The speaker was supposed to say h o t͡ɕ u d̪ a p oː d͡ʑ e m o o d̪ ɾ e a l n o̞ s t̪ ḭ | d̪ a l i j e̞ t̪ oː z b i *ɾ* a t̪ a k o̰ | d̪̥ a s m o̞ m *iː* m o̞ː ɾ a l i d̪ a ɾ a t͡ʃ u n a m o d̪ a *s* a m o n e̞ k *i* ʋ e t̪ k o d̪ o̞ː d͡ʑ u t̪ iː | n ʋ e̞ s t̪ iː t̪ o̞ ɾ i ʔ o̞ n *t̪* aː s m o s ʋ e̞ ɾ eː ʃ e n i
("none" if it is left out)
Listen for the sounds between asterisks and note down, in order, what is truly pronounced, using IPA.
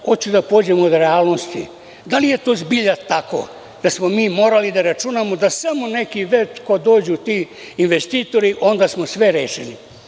ʎ, iː, s, i, d̪

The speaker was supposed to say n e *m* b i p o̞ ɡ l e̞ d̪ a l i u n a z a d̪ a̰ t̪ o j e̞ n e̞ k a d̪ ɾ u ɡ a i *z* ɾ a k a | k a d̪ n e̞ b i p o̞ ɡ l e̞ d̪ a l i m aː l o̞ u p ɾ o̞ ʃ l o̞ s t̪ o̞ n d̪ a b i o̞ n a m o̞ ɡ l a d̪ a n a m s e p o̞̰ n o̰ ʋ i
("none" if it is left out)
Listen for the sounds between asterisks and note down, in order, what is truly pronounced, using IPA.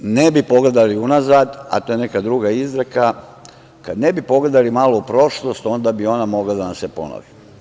none, z

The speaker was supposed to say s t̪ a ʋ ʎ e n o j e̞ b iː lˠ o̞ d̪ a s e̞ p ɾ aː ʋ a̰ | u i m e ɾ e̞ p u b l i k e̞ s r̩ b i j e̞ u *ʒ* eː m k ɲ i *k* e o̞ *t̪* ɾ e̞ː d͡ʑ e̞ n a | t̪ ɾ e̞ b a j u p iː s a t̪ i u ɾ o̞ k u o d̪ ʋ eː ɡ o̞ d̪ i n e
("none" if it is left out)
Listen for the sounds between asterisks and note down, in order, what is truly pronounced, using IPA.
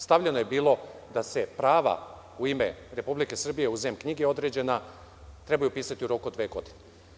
z, ɡ, d̪

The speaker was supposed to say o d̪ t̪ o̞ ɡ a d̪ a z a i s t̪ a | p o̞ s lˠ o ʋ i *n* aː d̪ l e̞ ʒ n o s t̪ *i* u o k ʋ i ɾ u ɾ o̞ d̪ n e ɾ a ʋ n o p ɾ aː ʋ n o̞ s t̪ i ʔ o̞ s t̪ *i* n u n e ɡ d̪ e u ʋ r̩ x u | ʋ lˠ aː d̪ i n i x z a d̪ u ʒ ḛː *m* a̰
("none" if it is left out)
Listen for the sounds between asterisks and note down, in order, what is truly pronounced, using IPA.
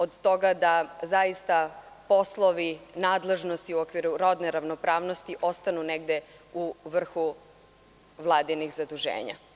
n, i, a, ɲ

